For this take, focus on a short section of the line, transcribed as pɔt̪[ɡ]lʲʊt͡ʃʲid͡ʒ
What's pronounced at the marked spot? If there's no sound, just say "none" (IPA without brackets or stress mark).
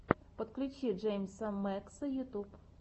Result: k